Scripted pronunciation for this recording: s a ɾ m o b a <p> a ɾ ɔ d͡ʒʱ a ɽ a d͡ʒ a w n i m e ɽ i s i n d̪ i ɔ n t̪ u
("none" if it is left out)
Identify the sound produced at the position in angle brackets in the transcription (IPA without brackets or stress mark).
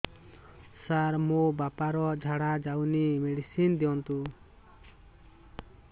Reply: p